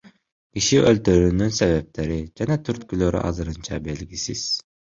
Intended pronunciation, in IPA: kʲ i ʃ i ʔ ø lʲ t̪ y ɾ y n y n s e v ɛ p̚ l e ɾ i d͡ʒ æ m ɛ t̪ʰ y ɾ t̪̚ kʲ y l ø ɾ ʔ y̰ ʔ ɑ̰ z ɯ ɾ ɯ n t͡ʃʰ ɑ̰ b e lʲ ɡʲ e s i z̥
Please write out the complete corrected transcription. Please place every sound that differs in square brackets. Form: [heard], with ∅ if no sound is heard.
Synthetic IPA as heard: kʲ i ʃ i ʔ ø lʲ t̪ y ɾ y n y n s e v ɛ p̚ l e ɾ i d͡ʒ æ [n] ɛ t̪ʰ y ɾ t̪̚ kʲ y l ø ɾ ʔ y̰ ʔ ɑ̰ z ɯ ɾ ɯ n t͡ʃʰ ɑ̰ b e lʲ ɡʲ [i] s i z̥